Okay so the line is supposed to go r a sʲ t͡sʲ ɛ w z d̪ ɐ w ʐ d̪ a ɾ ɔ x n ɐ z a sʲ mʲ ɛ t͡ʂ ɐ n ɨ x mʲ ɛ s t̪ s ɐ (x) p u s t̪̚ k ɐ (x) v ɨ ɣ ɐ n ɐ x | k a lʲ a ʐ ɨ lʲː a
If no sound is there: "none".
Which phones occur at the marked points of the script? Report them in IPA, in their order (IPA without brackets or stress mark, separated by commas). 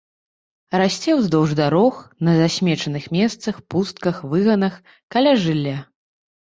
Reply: x, x